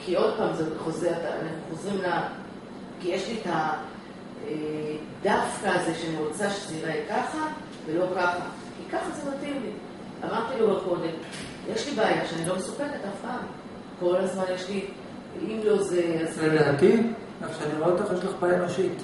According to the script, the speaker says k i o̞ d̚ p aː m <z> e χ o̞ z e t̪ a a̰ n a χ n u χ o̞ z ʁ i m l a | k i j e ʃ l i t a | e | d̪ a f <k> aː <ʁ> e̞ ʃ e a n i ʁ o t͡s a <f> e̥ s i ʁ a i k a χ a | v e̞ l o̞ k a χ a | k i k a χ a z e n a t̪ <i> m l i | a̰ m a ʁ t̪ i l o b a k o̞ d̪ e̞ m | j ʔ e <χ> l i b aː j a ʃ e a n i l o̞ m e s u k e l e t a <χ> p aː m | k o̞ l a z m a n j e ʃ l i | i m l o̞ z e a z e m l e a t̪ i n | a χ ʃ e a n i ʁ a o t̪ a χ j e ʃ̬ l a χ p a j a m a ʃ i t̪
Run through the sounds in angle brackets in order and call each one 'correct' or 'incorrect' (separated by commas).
correct, correct, incorrect, incorrect, correct, incorrect, incorrect